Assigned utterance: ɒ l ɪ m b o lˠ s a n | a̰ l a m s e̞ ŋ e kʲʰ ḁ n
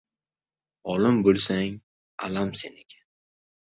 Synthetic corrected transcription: ɒ l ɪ m b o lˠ s a ŋ | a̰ l a m s e̞ n e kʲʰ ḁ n